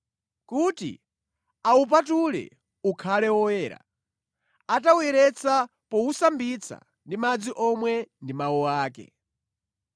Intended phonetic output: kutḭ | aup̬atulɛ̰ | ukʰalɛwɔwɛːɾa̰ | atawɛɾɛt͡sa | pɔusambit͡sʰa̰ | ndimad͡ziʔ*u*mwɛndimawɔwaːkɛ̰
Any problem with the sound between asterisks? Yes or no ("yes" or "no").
yes